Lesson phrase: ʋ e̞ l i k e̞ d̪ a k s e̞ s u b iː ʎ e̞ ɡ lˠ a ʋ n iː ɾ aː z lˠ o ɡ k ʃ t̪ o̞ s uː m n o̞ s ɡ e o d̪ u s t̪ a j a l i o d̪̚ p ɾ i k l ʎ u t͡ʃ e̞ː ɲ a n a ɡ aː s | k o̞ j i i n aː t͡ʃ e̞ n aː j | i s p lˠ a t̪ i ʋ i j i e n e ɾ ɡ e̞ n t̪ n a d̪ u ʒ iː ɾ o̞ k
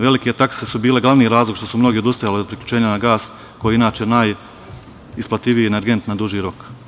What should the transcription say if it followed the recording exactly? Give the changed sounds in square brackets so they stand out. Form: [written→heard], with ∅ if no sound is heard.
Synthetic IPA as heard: ʋ e̞ l i k e̞ [d̪→t̪] a k s e̞ s u b iː [ʎ→l] e̞ ɡ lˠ a ʋ n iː ɾ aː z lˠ o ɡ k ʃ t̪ o̞ s [uː→u] m n o̞ [s→∅] ɡ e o d̪ u s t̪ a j a l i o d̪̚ p ɾ i k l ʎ u t͡ʃ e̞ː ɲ a n a ɡ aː s | k o̞ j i i n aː t͡ʃ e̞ n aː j | i s p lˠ a t̪ i ʋ i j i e n e ɾ ɡ e̞ n t̪ n a d̪ u ʒ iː ɾ o̞ k